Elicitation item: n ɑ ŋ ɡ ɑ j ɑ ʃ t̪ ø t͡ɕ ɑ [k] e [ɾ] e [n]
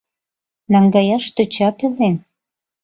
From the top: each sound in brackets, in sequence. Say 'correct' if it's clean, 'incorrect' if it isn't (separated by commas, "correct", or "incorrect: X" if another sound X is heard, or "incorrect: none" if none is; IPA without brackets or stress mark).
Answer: incorrect: p, incorrect: l, correct